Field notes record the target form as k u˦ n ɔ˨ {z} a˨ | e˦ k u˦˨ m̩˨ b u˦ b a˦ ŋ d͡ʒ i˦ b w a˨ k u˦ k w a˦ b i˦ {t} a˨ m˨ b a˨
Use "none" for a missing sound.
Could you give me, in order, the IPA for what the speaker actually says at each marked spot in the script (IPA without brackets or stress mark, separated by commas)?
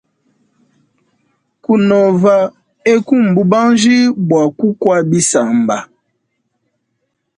v, s